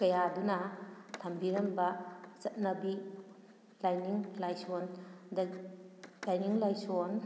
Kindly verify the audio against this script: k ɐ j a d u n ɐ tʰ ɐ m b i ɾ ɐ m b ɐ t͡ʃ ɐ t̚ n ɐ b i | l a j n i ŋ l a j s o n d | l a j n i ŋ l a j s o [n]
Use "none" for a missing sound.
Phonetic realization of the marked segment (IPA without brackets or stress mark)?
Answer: n